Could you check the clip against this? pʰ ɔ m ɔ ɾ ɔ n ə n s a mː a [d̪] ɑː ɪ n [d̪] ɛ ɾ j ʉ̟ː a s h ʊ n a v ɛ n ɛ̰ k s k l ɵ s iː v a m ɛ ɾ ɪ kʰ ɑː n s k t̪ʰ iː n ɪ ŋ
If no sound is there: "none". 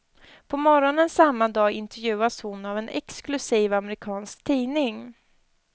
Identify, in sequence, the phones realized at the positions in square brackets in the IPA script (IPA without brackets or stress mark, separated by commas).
d̪, t̪